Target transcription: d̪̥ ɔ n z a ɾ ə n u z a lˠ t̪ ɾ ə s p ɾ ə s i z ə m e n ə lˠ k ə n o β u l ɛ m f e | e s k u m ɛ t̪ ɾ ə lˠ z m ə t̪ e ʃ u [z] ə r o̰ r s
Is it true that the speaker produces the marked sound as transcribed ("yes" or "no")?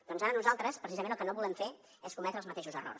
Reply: yes